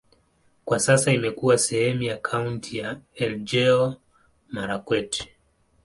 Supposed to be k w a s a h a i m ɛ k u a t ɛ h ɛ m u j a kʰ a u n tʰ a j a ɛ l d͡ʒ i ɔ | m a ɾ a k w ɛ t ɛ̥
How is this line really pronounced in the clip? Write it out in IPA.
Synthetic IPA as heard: k w a s a s a i m ɛ k u a s ɛ h ɛ m u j a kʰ a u n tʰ i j a ɛ l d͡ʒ ɛ ɔ | m a ɾ a k w ɛ t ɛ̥